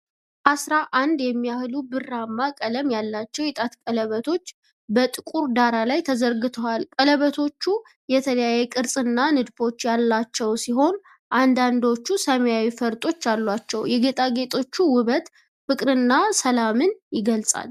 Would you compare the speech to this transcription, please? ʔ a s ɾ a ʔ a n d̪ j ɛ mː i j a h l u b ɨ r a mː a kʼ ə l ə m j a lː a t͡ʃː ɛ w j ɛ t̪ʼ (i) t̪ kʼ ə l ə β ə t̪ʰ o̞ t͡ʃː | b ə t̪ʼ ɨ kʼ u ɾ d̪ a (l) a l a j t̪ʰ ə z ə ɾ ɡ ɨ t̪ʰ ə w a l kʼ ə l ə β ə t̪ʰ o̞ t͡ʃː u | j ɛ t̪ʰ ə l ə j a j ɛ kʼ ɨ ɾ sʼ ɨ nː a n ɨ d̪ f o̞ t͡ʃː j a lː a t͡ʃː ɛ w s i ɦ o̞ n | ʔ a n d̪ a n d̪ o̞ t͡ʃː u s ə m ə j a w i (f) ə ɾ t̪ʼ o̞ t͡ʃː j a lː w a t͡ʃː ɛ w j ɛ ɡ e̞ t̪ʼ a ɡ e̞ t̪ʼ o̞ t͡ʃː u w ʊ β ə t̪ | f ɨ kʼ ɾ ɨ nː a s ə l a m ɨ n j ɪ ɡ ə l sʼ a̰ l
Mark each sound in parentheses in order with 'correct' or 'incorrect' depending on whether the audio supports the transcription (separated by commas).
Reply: incorrect, incorrect, correct